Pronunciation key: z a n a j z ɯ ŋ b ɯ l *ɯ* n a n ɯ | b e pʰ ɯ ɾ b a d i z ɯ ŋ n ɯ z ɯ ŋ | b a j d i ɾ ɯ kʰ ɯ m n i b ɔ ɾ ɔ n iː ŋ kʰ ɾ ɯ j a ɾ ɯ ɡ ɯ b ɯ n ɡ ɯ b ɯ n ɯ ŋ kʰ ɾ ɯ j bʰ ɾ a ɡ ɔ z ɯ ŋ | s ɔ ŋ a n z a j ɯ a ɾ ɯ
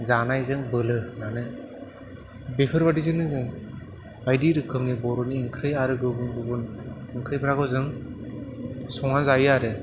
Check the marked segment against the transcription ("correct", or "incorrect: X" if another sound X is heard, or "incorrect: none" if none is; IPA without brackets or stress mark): correct